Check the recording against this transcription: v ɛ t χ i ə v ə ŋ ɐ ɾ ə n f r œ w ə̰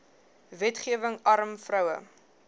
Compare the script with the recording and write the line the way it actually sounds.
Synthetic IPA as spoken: v ɛ t χ i ə v ə ŋ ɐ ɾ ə m f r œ w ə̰